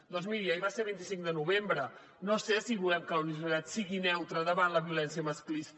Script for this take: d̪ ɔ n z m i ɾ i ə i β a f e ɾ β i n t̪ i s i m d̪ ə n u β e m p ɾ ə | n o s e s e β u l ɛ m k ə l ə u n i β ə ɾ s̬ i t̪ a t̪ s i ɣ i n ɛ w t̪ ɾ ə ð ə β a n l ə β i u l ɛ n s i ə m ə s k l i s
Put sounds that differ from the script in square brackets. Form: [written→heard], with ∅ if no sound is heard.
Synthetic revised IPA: d̪ ɔ n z m i ɾ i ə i β a [f→s] e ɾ β i n t̪ i s i [m→ŋ] d̪ ə n u β e m [p→b] ɾ ə | n o s e s [e→i] β u l ɛ m k ə l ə u n i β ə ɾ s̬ i t̪ a t̪ s i ɣ i n ɛ w t̪ ɾ ə ð ə β a n l ə β i u l ɛ n s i ə m ə s k l i s